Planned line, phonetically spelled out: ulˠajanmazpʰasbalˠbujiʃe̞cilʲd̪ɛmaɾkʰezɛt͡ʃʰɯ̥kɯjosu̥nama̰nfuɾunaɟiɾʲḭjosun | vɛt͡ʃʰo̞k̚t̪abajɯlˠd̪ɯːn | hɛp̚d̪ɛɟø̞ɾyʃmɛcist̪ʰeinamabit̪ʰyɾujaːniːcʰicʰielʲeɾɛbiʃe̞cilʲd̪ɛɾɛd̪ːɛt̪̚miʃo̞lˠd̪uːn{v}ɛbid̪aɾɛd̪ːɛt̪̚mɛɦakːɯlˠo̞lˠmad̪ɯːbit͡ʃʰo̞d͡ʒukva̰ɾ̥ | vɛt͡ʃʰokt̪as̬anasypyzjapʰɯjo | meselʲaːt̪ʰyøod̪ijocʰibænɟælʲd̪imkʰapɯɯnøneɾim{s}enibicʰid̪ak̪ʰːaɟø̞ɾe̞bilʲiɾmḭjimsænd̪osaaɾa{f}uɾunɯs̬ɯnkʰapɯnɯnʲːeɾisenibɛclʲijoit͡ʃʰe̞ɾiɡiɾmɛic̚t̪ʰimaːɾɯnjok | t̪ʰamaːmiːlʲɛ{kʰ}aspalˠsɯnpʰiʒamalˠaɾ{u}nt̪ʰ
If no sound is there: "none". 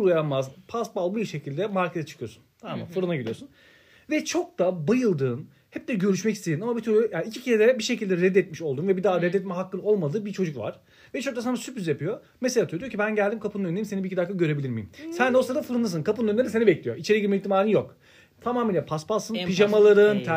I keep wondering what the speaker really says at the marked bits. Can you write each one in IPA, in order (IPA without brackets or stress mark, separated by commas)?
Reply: v, s, f, pʰ, ɯ